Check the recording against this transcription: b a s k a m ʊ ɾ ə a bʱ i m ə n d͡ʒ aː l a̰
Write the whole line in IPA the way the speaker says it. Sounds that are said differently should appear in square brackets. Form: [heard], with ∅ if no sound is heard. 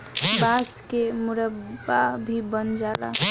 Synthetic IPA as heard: b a s k [e] m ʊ ɾ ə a bʱ i [b] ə n d͡ʒ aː l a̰